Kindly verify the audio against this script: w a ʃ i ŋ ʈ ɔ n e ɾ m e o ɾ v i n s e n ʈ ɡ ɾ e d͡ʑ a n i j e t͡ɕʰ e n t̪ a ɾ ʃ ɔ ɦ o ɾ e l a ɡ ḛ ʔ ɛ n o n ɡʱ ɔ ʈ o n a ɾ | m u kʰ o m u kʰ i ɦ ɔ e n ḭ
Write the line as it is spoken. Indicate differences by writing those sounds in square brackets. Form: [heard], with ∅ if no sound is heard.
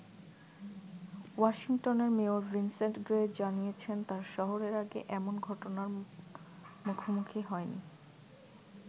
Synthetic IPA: w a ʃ i ŋ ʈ [o] n e ɾ m e o ɾ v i n s e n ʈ ɡ ɾ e d͡ʑ a n i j e t͡ɕʰ e n t̪ a ɾ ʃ ɔ ɦ o ɾ e [ɾ] a ɡ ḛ ʔ ɛ [m] o n ɡʱ ɔ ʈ o n a ɾ | m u kʰ o m u kʰ i ɦ ɔ e n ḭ